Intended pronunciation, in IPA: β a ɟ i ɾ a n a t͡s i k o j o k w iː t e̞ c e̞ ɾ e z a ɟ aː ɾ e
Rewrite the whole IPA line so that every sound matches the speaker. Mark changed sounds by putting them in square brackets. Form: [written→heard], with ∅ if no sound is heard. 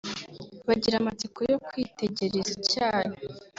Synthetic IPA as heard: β a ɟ i ɾ a [n→m] a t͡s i k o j o k w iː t e̞ [c→ɟ] e̞ ɾ e z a [ɟ→c] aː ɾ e

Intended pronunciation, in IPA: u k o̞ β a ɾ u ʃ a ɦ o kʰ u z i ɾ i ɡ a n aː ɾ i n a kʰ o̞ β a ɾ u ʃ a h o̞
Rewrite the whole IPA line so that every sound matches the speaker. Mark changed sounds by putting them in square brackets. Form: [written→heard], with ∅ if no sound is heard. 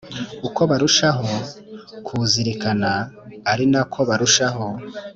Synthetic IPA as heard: u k o̞ β a ɾ u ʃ a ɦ o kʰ u z i ɾ i [ɡ→k] a n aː ɾ i n a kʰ o̞ β a ɾ u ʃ a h o̞

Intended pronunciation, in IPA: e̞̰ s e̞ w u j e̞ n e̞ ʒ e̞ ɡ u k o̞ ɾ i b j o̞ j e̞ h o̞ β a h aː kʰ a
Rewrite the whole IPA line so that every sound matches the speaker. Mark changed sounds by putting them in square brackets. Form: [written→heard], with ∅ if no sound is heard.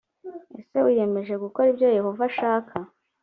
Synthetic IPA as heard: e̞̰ s e̞ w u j e̞ [n→m] e̞ ʒ e̞ ɡ u k o̞ ɾ i b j o̞ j e̞ h o̞ [β→v] a [h→ʃ] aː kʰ a

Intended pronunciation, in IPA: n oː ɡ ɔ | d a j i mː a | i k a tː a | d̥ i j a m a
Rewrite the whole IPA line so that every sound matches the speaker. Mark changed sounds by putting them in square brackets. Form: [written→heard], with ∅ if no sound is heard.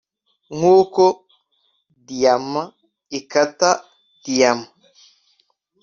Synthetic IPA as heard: [n→ŋ] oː [ɡ→k] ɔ | d [a→i] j [i→a] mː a | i k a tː a | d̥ i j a m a

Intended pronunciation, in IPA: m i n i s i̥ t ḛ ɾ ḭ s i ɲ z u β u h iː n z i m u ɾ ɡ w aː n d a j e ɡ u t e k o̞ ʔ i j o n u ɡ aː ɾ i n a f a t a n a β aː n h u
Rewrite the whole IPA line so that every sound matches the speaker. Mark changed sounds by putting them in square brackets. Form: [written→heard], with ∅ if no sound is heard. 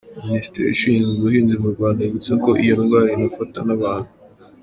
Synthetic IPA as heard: m i n i s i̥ t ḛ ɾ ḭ [s→ʃ] i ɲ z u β u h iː n z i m u ɾ ɡ w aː n d a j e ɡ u [t→t͡s] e k o̞ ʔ i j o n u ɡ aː ɾ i n a f a t a n a β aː n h u

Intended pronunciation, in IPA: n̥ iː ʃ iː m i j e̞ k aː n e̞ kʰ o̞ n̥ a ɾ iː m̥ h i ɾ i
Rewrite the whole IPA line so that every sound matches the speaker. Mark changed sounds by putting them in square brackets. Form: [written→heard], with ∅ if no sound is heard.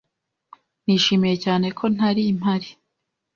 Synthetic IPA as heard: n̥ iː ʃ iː m i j e̞ [k→c] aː n e̞ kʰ o̞ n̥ a ɾ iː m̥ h [i→a] ɾ i

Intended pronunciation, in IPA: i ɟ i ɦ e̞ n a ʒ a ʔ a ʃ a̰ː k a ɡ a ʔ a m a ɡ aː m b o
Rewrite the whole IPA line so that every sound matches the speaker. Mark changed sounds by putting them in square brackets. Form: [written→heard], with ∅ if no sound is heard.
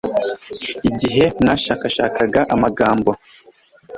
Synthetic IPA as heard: i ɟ i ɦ e̞ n a [ʒ→ʃ] a [ʔ→k] a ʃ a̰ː k a ɡ a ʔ a m a ɡ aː m b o

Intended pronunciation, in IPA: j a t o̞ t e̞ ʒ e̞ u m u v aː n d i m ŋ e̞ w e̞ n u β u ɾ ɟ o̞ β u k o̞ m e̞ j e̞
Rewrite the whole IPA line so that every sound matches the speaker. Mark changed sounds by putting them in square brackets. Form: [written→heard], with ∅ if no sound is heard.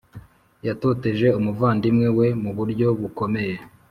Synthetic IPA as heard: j a t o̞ t e̞ ʒ e̞ u m u v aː n d i m ŋ e̞ w e̞ [n→m] u β u ɾ ɟ o̞ β u k o̞ m e̞ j e̞

